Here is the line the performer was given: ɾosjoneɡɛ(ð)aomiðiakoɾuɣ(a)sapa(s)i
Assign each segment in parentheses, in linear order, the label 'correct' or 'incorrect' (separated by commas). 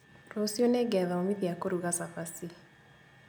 correct, correct, correct